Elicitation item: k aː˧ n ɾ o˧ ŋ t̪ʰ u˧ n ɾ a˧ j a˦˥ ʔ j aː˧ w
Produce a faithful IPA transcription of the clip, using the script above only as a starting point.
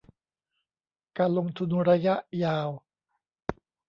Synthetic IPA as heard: k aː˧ n l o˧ ŋ t̪ʰ u˧ n ɾ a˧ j a˦˥ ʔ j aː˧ w